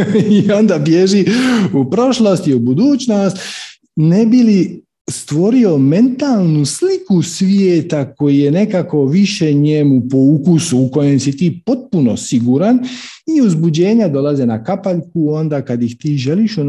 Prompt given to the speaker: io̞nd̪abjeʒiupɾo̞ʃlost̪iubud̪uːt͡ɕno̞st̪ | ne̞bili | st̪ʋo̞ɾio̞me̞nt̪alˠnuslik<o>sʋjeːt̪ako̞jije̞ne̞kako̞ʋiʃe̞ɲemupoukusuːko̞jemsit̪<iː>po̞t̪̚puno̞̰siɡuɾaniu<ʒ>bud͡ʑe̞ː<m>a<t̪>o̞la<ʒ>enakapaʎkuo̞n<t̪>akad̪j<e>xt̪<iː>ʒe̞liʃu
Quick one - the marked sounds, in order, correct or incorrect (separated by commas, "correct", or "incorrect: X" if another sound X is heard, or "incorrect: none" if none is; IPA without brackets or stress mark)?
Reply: incorrect: u, correct, incorrect: z, incorrect: ɲ, incorrect: d̪, incorrect: z, incorrect: d̪, incorrect: i, correct